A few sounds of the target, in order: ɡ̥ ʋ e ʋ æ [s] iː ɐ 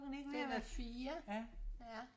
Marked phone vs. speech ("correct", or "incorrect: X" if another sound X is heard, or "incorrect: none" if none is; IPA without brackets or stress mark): incorrect: f